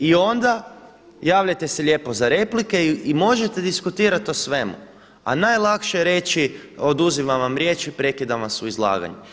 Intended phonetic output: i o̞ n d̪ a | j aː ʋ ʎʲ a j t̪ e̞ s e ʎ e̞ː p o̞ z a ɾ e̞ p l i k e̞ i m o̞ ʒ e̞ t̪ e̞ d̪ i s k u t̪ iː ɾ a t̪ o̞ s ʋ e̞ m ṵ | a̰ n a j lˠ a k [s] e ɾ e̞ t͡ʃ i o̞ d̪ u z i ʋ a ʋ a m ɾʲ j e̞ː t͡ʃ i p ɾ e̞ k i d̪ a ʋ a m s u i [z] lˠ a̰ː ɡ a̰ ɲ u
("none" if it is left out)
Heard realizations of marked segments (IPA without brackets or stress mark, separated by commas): ʃ, z